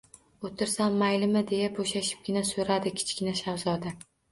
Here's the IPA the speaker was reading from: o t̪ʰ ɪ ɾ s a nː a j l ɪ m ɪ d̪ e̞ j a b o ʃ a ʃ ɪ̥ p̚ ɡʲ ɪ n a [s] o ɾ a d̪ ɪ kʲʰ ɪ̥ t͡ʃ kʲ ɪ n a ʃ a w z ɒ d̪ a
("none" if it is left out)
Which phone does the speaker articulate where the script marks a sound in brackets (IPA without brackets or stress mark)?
s